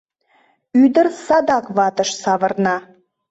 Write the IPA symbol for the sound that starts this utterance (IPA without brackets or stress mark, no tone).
y